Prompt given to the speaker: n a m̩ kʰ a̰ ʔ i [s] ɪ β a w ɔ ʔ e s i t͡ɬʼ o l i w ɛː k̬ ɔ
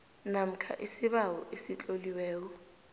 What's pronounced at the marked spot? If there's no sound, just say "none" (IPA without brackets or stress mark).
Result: s